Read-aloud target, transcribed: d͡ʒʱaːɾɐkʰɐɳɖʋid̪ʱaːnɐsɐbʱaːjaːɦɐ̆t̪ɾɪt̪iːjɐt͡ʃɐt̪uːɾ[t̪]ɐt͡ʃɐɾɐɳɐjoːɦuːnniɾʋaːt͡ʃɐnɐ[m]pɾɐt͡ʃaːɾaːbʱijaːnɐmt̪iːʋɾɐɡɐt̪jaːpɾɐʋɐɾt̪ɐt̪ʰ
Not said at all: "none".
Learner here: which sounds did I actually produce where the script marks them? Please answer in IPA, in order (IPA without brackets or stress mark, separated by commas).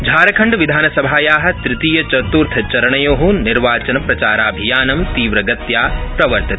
t̪ʰ, none